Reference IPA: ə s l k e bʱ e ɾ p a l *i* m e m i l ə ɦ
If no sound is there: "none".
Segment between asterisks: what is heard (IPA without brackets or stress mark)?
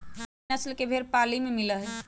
i